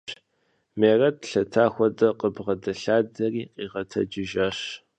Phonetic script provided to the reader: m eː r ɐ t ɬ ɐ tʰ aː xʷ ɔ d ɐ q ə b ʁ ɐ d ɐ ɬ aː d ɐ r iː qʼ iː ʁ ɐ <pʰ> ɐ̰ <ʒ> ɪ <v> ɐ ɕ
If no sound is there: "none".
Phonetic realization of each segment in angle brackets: tʰ, d͡ʒ, ʒ

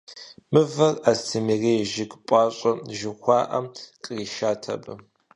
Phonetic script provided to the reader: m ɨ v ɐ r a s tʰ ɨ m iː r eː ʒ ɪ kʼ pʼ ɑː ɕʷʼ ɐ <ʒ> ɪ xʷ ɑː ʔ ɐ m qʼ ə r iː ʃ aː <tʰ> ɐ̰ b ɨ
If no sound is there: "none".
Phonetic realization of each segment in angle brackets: ʒ, tʰ

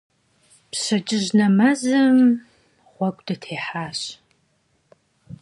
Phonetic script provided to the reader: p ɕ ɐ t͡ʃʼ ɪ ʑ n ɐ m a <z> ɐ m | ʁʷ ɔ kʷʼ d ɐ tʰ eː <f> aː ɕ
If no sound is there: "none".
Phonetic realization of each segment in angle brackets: z, ħ

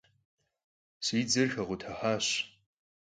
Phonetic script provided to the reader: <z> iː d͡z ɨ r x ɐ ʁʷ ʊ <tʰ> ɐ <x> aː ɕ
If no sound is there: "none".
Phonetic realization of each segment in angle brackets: s, tʰ, ħ

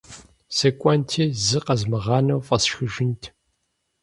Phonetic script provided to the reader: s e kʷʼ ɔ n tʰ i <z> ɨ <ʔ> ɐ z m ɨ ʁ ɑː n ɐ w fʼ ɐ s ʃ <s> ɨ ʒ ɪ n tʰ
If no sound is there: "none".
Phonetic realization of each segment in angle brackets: z, q, x

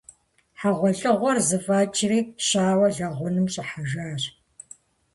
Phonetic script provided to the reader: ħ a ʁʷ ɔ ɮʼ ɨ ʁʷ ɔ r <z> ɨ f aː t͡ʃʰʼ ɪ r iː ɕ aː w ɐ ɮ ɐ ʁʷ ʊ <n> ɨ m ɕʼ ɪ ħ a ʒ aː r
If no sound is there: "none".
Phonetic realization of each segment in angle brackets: z, n

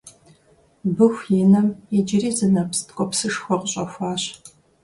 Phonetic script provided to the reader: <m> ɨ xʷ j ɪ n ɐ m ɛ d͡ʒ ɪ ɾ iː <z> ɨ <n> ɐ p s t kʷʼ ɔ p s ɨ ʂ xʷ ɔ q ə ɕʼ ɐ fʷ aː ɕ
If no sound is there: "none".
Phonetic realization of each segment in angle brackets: b, z, n

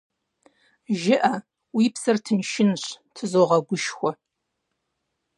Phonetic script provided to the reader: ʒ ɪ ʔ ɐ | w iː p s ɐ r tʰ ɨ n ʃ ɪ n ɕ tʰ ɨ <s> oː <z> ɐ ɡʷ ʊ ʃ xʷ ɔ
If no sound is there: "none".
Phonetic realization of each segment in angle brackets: z, ʁ

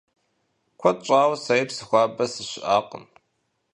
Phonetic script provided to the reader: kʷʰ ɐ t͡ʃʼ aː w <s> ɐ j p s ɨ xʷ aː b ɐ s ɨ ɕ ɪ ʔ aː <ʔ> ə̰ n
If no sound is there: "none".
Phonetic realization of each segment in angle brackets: s, q

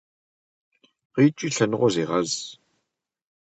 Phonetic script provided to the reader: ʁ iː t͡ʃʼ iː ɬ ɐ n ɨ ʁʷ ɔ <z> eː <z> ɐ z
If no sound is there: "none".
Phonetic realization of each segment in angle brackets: z, ʁ

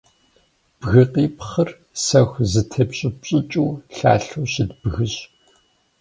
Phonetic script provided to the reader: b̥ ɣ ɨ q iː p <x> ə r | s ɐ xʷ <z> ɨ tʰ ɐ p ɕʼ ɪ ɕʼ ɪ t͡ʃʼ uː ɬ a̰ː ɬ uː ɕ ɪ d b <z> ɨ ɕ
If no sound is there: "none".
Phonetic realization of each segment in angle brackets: χ, z, ɣ

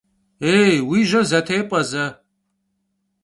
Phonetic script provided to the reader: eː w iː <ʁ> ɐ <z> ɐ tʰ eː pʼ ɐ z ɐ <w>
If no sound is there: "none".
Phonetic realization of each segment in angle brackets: ʒ, z, none

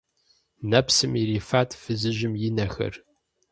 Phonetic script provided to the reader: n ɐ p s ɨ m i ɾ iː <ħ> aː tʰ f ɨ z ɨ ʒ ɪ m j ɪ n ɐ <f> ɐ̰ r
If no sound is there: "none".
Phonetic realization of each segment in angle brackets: f, x

